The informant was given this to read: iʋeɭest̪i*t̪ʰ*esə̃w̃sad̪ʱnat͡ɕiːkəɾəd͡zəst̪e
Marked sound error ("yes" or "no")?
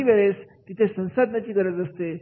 no